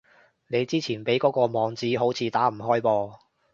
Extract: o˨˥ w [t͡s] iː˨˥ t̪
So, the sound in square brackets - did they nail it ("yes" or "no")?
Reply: no